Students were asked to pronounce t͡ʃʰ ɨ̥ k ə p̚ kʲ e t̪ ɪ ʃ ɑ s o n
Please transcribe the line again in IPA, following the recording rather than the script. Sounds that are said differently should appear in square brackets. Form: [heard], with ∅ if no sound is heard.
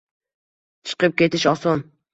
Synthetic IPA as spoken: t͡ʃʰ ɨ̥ [q] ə p̚ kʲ e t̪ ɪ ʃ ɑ s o n